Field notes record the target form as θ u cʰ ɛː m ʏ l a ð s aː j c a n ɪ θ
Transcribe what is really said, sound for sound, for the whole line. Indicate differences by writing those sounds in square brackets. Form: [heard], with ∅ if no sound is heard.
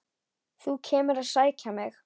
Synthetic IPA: θ u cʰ ɛː m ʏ [ɾ] a ð s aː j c a [m] ɪ [x]